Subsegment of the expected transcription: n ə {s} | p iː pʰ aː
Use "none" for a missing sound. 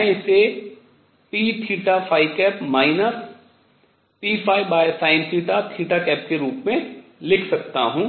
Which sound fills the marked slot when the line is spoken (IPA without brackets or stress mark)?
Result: s